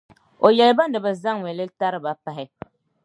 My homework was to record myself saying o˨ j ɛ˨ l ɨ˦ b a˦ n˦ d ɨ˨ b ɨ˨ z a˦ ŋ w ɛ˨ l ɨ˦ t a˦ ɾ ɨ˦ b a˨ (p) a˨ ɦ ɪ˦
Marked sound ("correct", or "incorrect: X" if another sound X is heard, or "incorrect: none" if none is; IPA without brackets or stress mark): correct